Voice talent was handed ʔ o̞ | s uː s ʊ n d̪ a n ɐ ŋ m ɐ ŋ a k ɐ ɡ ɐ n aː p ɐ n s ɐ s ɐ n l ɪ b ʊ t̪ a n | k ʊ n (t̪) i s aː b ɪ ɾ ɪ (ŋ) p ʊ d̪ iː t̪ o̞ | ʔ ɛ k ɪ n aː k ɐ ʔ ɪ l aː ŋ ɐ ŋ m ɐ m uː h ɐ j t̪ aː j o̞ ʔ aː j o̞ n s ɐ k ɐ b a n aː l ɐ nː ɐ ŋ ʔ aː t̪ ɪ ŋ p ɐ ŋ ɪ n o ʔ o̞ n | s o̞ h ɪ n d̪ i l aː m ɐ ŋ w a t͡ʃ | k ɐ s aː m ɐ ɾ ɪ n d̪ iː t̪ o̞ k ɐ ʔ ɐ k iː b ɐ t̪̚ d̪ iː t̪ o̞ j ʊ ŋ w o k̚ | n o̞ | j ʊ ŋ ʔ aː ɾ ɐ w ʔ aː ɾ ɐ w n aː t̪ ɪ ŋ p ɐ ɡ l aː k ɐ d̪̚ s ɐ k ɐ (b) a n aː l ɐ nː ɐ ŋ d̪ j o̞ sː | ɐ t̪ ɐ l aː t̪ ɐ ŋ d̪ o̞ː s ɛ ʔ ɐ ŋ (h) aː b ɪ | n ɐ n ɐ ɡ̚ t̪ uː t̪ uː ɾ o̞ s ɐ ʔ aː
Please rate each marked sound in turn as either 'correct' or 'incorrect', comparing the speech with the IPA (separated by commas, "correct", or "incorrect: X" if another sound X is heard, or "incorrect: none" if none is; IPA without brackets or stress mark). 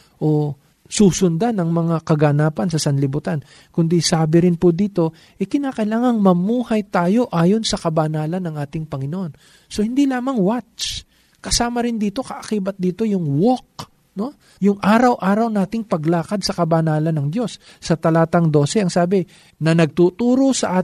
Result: incorrect: d̪, incorrect: n, correct, incorrect: s